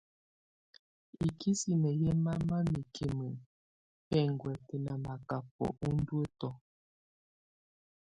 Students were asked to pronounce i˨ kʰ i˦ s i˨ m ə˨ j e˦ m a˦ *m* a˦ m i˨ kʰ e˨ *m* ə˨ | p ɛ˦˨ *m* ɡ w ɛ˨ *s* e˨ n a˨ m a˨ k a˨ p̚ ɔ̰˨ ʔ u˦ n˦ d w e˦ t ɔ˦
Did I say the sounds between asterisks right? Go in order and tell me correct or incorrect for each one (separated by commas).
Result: correct, correct, incorrect, incorrect